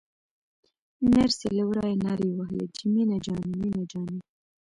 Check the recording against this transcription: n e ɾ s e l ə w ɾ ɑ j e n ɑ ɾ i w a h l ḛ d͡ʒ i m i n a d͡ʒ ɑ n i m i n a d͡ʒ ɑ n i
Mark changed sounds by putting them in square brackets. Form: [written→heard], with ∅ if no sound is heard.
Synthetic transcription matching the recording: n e ɾ s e l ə w ɾ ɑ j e n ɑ ɾ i w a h l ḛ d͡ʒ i m i n a d͡ʒ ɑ n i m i n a d͡ʒ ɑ n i